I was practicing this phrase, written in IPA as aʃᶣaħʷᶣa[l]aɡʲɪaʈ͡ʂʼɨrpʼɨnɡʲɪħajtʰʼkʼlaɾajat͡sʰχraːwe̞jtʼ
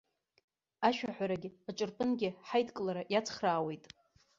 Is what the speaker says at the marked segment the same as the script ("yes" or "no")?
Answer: no